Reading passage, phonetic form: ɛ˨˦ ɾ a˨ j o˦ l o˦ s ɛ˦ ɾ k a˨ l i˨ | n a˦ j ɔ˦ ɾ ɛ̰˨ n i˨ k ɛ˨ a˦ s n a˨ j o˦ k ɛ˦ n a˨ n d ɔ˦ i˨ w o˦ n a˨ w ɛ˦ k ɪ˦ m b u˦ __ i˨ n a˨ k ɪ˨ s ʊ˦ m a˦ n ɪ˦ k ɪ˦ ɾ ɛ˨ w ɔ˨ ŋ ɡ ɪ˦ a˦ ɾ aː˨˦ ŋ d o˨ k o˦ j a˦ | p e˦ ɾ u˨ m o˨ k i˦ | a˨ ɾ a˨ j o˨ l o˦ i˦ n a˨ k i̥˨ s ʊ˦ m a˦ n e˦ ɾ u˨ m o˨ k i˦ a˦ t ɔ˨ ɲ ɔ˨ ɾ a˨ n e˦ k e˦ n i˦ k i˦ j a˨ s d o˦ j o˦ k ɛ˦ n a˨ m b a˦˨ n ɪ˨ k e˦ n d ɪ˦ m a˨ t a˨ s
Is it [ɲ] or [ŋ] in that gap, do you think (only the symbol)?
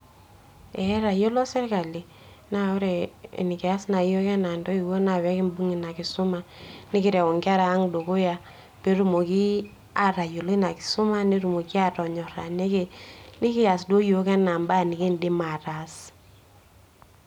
ŋ